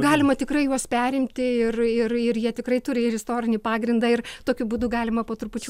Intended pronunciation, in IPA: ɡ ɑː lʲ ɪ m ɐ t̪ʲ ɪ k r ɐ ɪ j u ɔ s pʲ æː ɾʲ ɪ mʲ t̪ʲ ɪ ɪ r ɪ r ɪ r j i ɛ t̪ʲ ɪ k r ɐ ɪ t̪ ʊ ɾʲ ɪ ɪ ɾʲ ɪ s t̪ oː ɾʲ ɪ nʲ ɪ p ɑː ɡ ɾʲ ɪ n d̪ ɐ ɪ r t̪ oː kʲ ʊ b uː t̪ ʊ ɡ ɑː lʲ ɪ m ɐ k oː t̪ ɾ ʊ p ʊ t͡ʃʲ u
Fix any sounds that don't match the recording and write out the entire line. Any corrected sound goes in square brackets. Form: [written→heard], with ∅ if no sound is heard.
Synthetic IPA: ɡ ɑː lʲ ɪ m ɐ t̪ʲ ɪ k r ɐ ɪ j u ɔ s pʲ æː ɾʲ ɪ mʲ t̪ʲ ɪ ɪ r ɪ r ɪ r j i ɛ t̪ʲ ɪ k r ɐ ɪ t̪ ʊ ɾʲ ɪ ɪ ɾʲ ɪ s t̪ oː ɾʲ ɪ nʲ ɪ p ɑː ɡ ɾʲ ɪ n d̪ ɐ ɪ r t̪ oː kʲ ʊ b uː [t̪→d̪] ʊ ɡ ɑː lʲ ɪ m ɐ [k→p] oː t̪ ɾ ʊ p ʊ t͡ʃʲ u